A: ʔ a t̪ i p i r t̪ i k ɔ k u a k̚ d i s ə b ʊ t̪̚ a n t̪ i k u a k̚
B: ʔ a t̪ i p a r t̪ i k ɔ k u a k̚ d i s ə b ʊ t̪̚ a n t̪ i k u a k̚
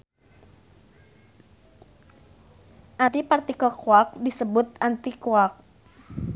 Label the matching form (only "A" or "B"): B